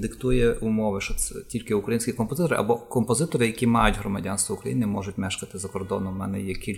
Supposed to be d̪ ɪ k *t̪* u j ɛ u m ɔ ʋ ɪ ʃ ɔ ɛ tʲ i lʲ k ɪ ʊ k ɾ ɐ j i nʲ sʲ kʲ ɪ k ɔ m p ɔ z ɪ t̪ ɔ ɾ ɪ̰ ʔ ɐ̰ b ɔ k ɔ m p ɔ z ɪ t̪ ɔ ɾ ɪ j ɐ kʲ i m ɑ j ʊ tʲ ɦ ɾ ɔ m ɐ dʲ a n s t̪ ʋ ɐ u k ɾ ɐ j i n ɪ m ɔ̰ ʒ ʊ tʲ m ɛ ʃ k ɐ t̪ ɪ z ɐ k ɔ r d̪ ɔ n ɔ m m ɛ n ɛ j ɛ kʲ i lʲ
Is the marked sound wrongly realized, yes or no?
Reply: no